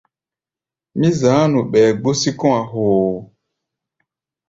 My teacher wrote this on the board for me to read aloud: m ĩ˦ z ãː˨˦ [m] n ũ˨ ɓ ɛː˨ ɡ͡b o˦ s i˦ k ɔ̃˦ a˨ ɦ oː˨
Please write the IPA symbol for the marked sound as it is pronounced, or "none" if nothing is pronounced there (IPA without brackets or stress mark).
none